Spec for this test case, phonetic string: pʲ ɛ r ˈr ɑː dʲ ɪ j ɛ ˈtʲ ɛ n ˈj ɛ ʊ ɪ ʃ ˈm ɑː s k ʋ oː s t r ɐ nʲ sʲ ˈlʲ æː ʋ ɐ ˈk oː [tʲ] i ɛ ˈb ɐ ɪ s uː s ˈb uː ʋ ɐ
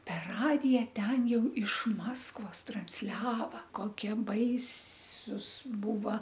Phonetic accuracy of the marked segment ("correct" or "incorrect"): incorrect